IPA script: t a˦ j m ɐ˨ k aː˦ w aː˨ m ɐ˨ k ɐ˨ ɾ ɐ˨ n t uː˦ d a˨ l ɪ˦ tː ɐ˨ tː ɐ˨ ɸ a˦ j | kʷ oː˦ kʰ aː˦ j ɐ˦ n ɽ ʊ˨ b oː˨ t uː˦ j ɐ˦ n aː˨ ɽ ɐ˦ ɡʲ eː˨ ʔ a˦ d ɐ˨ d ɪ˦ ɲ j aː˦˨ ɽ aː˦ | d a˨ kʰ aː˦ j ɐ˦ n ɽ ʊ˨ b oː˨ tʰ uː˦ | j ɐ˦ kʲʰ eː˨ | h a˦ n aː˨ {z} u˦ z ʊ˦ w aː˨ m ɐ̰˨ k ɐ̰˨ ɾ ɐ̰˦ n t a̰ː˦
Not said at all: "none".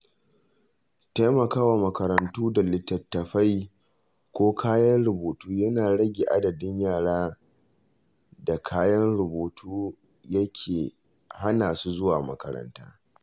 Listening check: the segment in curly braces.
s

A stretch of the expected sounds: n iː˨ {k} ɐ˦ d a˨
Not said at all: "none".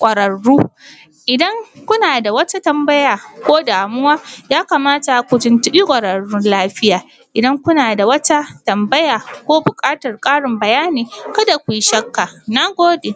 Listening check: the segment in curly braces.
k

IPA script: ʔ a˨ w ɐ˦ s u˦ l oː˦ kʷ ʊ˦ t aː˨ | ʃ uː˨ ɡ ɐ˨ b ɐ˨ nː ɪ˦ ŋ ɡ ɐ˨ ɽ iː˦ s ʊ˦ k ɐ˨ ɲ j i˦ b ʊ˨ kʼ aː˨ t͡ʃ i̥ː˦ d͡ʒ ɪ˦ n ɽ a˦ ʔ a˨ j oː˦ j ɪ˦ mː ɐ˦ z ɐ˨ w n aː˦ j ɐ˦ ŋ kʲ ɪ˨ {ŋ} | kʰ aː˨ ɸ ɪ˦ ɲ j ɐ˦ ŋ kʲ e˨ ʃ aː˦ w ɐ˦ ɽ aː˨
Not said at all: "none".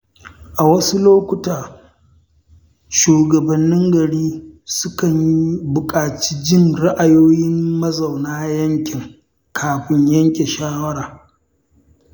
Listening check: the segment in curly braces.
ŋ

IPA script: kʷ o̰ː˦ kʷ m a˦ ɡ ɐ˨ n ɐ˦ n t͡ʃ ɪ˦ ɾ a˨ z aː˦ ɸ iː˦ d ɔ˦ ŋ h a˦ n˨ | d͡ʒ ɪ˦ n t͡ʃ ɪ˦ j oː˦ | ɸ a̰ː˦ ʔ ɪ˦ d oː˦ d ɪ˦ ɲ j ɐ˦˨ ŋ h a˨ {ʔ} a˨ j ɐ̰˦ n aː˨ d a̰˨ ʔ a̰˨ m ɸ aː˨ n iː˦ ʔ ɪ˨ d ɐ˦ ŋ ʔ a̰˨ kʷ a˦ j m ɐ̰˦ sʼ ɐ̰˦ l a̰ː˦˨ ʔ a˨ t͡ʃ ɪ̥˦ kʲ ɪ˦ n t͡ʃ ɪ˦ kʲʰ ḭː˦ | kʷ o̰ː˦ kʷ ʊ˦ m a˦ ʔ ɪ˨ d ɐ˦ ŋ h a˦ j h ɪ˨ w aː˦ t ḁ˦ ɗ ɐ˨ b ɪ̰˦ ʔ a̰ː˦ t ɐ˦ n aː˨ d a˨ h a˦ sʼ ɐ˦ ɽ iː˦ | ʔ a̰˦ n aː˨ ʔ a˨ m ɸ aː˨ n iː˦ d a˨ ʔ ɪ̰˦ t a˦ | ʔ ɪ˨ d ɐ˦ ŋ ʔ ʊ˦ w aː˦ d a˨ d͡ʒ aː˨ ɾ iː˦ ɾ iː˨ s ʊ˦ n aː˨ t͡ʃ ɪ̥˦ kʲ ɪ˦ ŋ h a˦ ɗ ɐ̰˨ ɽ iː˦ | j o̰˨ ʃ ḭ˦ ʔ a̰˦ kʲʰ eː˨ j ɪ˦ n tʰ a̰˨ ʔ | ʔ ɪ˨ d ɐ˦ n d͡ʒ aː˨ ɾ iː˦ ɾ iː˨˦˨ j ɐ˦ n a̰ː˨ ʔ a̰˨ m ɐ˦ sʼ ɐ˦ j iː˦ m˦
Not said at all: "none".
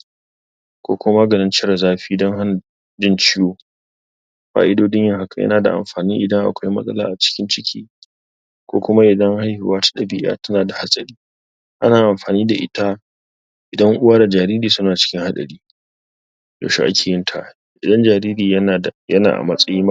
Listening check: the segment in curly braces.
k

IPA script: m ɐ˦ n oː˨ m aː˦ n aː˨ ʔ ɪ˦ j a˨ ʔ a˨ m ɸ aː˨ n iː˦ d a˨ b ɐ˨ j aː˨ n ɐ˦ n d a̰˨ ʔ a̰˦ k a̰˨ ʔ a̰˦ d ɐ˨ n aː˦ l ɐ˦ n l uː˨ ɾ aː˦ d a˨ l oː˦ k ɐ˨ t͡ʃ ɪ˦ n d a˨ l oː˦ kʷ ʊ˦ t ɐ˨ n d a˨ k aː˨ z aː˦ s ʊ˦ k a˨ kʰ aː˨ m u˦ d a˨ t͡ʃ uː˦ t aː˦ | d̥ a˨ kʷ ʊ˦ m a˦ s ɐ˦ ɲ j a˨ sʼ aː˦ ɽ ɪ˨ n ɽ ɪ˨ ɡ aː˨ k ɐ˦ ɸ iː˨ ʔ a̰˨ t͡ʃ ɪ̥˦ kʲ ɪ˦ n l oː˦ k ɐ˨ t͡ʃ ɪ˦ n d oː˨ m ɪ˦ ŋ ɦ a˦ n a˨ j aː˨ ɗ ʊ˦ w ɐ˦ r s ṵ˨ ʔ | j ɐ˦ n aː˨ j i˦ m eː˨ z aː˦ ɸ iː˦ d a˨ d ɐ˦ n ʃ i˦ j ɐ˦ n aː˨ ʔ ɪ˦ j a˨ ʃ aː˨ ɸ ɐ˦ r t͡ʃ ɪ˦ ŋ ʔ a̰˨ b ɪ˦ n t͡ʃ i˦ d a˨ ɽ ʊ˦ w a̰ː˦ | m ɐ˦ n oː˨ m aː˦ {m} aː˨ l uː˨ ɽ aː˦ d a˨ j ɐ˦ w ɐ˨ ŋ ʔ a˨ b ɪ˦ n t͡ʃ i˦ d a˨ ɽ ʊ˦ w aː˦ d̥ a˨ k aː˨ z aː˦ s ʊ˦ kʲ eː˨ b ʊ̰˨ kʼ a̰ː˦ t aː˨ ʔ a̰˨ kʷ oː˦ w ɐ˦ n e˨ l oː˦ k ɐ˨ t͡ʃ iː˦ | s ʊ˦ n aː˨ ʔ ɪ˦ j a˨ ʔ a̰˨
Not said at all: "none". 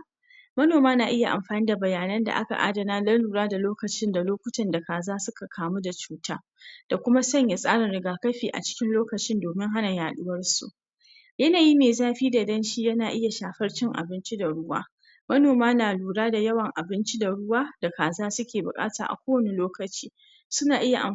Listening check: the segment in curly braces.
n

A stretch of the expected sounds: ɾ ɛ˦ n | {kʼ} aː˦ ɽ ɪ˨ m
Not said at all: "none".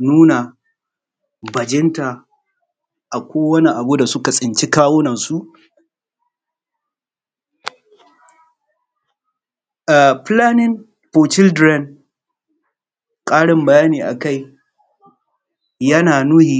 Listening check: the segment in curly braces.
kʼ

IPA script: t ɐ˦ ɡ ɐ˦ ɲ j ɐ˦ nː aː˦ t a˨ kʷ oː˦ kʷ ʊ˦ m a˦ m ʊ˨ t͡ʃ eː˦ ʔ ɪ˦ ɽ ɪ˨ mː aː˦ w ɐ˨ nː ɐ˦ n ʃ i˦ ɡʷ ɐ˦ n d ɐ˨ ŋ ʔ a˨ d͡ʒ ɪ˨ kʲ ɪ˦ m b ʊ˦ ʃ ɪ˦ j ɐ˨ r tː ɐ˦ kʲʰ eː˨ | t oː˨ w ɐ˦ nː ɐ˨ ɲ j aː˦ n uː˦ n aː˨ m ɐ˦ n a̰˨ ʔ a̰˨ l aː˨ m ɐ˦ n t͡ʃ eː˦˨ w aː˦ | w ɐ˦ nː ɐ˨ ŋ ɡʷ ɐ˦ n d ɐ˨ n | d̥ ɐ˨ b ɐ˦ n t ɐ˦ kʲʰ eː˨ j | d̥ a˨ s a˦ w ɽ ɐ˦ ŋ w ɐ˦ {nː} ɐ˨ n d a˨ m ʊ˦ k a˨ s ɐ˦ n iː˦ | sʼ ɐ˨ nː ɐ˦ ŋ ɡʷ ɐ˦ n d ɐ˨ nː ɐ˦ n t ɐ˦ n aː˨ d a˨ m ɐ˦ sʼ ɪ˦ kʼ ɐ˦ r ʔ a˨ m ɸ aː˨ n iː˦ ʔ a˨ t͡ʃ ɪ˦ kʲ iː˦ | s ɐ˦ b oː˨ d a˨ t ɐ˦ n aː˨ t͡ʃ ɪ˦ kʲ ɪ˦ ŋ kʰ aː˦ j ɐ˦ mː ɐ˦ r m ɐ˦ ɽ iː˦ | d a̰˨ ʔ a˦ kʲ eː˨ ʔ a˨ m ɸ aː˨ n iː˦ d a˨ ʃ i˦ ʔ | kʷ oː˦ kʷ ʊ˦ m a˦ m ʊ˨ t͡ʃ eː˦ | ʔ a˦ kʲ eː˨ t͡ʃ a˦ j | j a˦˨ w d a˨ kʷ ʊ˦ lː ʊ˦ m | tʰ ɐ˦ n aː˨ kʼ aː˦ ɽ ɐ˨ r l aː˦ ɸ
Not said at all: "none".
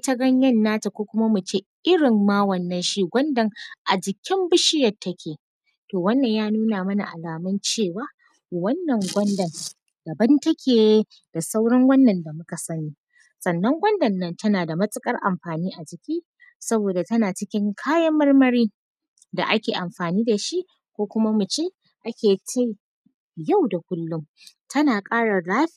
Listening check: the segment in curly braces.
nː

